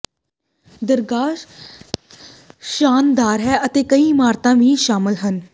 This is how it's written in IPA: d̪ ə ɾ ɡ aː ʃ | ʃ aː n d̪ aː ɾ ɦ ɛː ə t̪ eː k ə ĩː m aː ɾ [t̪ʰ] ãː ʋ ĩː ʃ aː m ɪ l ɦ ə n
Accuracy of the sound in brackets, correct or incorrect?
incorrect